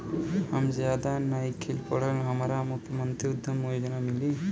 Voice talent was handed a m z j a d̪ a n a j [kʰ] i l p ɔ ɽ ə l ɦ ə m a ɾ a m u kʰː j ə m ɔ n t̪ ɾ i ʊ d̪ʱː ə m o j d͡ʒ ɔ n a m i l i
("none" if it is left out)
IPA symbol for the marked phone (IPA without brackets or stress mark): kʰ